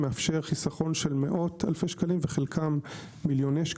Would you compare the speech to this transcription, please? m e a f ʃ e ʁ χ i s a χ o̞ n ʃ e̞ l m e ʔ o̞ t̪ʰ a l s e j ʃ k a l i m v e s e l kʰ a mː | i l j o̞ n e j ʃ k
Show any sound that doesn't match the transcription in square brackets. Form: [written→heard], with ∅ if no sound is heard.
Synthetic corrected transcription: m e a f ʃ e ʁ χ i s a χ o̞ n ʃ e̞ l m e ʔ o̞ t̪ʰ a l [s→f] e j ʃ k a l i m v e [s→χ] e l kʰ a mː | i l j o̞ n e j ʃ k